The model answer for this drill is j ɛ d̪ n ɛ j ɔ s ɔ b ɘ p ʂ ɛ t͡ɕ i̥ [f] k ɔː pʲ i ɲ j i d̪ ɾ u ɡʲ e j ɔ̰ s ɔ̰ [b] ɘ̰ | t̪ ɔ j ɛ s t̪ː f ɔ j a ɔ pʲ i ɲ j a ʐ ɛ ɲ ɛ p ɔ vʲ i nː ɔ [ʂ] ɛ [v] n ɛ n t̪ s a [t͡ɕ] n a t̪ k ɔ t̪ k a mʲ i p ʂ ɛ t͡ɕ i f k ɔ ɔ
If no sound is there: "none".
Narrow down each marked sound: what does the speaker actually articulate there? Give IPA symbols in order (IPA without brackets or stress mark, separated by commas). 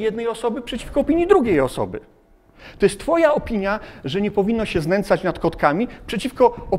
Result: f, b, ɕ, z, t͡ɕ